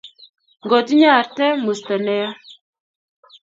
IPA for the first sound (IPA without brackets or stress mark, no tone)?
ŋ